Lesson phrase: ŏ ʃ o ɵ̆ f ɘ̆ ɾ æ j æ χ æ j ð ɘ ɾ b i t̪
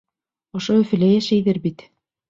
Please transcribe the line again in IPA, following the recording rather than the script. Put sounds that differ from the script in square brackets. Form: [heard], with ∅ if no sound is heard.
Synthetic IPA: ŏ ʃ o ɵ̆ f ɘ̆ [l] æ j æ [ʃ] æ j ð ɘ ɾ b i t̪